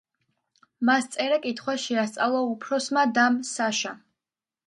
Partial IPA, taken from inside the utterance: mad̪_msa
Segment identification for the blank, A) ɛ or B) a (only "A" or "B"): B